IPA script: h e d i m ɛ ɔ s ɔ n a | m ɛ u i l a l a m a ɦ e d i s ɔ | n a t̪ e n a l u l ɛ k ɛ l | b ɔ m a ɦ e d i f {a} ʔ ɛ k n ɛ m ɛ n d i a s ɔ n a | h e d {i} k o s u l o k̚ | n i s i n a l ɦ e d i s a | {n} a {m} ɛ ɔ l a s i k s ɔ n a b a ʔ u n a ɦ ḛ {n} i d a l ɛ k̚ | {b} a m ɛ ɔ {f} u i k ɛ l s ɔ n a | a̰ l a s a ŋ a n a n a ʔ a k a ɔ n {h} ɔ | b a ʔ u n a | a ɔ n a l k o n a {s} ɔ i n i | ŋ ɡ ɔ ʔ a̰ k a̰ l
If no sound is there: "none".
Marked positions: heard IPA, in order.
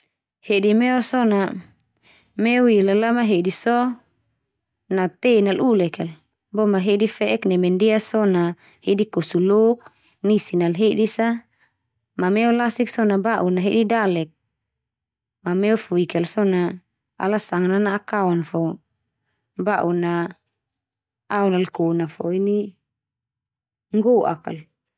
ɛ, i, m, m, d, m, f, f, f

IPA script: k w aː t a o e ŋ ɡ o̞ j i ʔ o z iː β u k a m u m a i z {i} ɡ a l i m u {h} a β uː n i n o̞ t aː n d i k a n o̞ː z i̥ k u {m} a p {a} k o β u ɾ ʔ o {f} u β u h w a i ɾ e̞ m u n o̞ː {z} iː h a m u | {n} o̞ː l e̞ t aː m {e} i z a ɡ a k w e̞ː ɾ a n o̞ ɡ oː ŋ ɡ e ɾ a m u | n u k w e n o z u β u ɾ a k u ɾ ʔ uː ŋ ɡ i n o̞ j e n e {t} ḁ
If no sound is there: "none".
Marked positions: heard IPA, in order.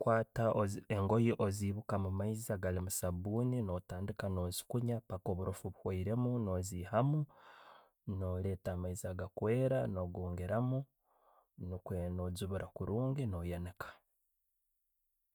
a, s, ɲ, a, f, z, n, a, k

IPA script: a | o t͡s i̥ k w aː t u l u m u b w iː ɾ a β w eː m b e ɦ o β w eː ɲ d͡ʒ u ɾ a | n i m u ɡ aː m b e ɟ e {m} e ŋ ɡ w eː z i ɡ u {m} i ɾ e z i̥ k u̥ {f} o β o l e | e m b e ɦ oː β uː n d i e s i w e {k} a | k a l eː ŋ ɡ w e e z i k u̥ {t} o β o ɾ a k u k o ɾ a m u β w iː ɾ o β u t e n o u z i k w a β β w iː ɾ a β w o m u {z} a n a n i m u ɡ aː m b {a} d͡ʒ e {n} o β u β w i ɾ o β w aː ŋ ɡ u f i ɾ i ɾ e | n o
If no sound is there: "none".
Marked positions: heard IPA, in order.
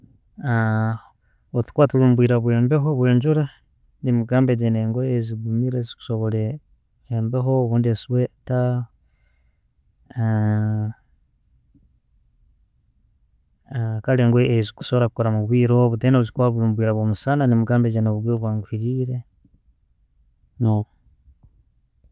n, m, s, t, s, s, e, n

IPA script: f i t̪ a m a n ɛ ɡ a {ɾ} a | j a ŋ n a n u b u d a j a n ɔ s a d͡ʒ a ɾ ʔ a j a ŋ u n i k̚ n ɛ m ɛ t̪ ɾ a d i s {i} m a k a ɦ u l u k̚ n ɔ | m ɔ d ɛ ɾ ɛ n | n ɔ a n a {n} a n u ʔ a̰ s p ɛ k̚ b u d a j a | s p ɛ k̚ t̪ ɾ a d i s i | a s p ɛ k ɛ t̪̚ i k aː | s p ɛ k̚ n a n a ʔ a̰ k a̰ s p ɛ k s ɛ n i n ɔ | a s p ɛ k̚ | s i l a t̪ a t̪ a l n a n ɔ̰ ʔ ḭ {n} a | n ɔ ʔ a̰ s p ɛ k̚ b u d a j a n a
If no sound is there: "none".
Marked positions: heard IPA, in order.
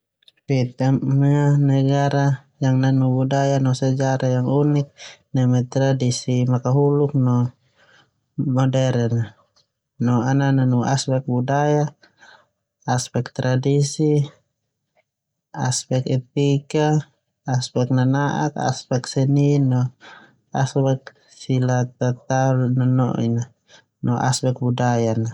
ɾ, i, n, n

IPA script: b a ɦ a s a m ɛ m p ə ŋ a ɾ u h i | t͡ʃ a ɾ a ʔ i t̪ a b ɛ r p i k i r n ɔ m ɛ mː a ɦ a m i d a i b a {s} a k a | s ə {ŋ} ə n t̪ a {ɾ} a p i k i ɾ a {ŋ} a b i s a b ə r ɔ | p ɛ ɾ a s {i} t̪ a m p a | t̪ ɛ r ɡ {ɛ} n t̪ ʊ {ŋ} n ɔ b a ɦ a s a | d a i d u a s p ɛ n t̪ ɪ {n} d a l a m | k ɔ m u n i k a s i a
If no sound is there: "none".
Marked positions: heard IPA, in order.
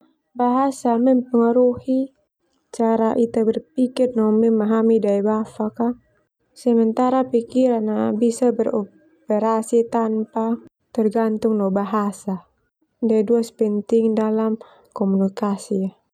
f, m, ɾ, n, i, a, ŋ, ŋ

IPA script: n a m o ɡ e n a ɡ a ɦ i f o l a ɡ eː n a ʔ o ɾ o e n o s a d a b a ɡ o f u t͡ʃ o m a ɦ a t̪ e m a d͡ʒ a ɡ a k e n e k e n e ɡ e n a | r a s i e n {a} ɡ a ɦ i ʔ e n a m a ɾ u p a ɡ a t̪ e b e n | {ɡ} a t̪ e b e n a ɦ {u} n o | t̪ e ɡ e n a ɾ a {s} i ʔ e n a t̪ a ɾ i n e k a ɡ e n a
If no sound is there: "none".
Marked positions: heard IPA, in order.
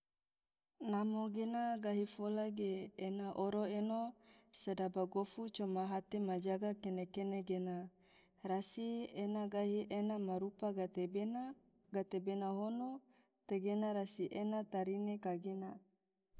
a, ɡ, o, s

